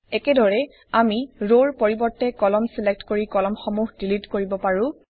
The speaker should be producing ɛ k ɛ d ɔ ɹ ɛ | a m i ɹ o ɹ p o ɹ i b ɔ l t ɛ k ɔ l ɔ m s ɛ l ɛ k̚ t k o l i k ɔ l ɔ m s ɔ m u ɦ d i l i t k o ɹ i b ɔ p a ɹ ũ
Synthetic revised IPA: ɛ k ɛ d ɔ ɹ ɛ | a m i ɹ o ɹ p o ɹ i b ɔ ɹ t ɛ k ɔ l ɔ m s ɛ l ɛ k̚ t k o ɹ i k ɔ l ɔ m x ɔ m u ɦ d i l i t k o ɹ i b ɔ p a ɹ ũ